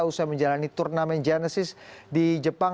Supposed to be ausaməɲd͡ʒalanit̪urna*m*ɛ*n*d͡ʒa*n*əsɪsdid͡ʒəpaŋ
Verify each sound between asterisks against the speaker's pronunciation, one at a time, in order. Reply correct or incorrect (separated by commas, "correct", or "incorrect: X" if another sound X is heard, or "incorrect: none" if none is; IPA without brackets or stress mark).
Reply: correct, correct, correct